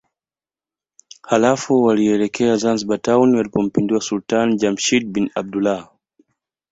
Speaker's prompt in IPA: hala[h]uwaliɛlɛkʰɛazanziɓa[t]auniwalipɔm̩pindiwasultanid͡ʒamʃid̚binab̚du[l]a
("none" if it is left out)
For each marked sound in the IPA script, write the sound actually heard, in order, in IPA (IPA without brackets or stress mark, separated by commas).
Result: f, t, l